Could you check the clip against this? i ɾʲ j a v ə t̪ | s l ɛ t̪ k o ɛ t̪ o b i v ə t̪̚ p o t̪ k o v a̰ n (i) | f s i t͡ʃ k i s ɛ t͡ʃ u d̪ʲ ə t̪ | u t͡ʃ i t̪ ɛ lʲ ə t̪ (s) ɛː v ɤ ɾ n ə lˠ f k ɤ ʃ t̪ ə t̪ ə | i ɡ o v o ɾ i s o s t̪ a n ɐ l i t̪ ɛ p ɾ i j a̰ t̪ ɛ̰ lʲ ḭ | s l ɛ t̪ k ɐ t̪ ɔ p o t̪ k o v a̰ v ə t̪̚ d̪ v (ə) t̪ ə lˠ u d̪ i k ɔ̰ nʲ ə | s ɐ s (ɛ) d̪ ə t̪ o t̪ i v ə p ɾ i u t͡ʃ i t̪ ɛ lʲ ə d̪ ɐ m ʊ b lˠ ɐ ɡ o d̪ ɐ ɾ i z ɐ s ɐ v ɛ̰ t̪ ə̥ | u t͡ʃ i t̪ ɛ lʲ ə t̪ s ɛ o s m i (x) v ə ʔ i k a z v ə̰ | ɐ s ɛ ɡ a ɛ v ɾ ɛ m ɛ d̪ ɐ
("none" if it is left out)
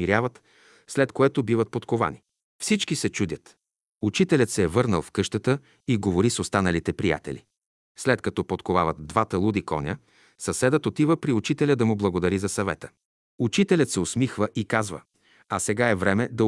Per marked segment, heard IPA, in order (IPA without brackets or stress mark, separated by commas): i, s, a, ɛ, x